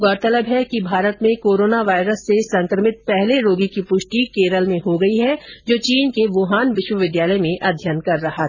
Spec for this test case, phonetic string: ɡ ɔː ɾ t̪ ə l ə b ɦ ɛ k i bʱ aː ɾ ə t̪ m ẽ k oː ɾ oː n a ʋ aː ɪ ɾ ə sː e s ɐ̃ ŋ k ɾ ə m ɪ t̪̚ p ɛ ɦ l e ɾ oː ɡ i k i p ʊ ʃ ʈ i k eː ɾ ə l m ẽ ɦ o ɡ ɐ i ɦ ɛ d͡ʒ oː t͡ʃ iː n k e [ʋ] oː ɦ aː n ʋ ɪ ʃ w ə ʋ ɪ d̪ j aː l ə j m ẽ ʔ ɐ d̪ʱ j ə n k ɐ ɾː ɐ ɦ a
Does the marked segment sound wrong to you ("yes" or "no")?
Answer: no